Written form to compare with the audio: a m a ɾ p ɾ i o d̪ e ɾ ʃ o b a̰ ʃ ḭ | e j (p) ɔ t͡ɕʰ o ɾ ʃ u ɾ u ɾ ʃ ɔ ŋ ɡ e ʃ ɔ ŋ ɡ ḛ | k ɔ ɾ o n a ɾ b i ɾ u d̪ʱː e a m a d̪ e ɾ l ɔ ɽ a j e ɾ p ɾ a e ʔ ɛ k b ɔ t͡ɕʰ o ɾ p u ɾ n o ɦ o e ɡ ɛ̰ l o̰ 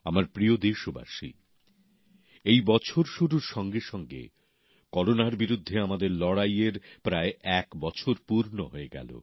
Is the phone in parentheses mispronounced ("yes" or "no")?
yes